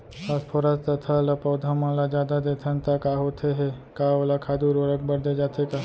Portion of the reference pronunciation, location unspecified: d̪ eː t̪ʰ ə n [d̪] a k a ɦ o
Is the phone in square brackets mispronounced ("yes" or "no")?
yes